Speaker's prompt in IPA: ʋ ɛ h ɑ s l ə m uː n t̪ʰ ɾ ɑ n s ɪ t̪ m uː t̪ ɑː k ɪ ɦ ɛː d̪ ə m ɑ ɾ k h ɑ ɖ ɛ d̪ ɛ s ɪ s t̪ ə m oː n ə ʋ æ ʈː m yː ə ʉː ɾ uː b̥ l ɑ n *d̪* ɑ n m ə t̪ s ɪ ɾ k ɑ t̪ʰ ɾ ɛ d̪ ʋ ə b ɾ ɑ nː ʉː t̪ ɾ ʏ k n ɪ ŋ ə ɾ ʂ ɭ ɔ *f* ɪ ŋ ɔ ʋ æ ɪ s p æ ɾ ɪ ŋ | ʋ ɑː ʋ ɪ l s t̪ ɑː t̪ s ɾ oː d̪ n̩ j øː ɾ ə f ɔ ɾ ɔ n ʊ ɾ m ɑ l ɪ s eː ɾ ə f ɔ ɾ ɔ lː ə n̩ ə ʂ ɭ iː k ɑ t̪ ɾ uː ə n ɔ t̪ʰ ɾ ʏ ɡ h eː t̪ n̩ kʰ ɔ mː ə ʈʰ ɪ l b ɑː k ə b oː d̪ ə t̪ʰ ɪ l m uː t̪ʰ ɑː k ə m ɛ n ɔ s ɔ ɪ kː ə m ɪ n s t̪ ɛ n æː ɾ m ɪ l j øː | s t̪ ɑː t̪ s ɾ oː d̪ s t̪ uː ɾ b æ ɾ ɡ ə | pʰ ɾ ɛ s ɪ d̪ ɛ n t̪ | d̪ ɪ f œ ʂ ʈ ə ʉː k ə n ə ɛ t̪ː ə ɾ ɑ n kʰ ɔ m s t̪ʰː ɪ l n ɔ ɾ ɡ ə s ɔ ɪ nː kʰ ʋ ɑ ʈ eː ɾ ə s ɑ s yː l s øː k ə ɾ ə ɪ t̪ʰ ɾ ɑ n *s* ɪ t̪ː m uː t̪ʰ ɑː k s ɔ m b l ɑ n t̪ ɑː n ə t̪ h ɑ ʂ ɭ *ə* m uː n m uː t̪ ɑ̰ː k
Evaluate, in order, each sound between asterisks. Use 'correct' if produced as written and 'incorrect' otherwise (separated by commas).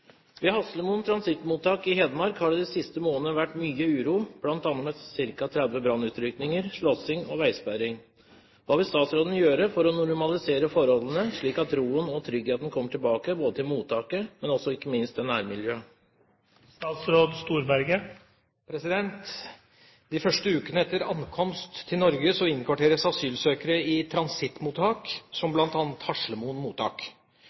incorrect, incorrect, correct, correct